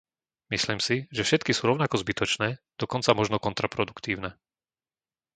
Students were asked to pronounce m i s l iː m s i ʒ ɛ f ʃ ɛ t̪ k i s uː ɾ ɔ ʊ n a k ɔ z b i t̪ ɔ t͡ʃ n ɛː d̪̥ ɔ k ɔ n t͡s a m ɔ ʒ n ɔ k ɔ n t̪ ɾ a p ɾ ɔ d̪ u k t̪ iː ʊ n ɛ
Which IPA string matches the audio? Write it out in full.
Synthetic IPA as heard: m i s l iː m s i ʒ ɛ f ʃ ɛ t̪ k i s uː ɾ ɔ ʊ n a k ɔ z b i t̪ ɔ t͡ʃ n ɛː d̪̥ ɔ k ɔ n t͡s a m ɔ ʒ n ɔ k ɔ n t̪ ɾ a p ɾ ɔ d̪ u k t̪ iː ʊ n ɛ